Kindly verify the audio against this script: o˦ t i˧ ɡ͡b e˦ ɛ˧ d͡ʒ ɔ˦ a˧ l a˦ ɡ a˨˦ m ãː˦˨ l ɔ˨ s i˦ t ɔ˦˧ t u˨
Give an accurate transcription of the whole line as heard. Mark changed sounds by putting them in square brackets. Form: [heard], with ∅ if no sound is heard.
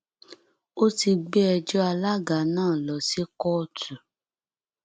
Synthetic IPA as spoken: o˦ t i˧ ɡ͡b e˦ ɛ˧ d͡ʒ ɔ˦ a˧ l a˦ ɡ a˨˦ [n] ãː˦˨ l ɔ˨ s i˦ [k] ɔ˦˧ t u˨